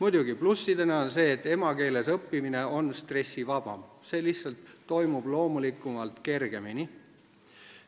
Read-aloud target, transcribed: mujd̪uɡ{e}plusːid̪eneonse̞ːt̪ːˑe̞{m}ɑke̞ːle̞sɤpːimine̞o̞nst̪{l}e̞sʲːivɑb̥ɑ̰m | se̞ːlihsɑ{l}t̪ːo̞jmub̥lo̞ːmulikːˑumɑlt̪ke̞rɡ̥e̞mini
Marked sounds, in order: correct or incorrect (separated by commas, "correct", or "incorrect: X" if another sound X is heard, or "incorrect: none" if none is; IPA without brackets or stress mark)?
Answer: incorrect: i, correct, incorrect: r, correct